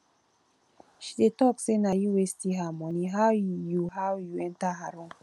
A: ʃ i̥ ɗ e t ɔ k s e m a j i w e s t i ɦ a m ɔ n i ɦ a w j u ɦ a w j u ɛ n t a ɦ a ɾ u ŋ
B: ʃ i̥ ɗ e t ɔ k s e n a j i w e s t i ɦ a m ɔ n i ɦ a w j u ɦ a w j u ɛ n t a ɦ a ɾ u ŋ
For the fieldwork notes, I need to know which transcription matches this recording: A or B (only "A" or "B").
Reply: B